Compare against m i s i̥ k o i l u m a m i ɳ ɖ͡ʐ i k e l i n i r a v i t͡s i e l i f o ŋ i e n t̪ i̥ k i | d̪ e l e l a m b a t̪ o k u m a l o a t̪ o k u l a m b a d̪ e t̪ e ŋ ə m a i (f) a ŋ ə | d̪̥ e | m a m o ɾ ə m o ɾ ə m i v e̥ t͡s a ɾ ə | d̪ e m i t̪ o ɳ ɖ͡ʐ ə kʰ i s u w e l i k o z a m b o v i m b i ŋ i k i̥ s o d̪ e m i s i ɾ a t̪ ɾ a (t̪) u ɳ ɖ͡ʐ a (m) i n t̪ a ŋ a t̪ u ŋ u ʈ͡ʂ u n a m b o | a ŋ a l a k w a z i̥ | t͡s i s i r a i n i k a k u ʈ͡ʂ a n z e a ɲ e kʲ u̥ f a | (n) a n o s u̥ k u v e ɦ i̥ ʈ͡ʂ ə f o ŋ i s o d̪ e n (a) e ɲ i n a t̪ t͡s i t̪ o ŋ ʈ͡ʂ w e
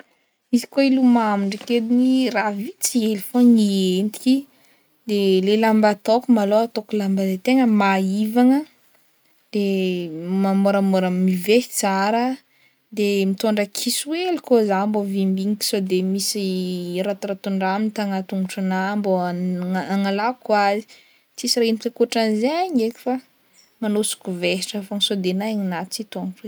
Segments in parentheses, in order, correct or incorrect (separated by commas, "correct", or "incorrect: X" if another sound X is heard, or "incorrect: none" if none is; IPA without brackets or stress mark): incorrect: v, correct, correct, incorrect: m, correct